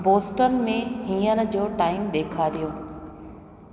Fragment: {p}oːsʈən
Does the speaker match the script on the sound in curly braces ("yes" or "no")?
no